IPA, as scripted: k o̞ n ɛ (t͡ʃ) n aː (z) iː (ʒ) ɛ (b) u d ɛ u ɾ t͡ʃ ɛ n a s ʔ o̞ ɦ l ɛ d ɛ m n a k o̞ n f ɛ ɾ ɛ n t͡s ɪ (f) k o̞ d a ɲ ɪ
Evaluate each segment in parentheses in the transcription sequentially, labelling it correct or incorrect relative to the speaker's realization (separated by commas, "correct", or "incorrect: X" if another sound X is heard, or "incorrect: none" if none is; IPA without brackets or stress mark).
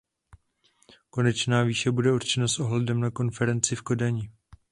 correct, incorrect: v, incorrect: ʃ, correct, correct